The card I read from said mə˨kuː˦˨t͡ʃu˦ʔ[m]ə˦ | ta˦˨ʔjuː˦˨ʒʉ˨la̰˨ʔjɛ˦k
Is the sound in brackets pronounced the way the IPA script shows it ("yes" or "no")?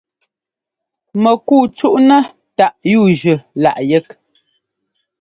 no